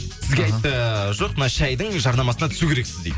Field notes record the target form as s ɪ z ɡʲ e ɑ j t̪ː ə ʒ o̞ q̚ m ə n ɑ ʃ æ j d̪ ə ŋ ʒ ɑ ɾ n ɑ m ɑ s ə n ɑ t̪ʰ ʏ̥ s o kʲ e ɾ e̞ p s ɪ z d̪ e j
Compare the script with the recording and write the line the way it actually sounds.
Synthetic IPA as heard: s ɪ z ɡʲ e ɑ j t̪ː ə ʒ o̞ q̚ m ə n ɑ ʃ æ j d̪ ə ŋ ʒ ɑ ɾ n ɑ m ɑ s ə n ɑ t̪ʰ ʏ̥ s u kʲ e ɾ e̞ k s ɪ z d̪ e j